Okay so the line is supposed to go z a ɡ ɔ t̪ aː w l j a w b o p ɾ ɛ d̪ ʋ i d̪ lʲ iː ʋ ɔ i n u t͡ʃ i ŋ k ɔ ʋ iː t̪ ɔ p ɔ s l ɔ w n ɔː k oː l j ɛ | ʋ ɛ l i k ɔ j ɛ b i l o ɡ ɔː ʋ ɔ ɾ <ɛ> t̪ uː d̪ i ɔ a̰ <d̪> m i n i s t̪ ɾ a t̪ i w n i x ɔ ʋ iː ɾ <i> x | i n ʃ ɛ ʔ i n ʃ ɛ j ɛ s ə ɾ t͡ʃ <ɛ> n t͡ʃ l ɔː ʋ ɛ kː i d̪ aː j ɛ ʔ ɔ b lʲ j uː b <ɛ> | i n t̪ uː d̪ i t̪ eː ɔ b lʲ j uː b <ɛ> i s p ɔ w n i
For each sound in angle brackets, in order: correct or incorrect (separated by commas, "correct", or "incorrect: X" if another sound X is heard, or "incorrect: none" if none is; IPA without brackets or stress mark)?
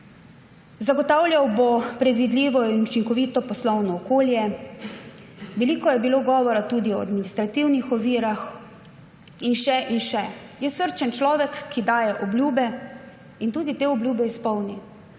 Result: incorrect: a, correct, incorrect: a, correct, correct, correct